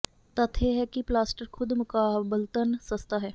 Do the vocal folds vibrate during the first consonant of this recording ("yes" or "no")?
no